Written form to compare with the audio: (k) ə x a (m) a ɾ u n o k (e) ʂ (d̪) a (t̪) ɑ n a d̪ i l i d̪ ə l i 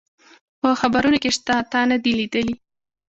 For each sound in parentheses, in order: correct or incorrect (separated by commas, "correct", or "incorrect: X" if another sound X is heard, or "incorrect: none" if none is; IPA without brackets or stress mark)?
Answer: incorrect: p, incorrect: b, correct, incorrect: t̪, correct